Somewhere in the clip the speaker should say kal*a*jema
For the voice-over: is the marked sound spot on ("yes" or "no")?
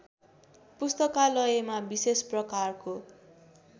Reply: no